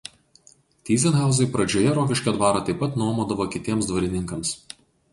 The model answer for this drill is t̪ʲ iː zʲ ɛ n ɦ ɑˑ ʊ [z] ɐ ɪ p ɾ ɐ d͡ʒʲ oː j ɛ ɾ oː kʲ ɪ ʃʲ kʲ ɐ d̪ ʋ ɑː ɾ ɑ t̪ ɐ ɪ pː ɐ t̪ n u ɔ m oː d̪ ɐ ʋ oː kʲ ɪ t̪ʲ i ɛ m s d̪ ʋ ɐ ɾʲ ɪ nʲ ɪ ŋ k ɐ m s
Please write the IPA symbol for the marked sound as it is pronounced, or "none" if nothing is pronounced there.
z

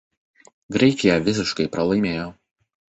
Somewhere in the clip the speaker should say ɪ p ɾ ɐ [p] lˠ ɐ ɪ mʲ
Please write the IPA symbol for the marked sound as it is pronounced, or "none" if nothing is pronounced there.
none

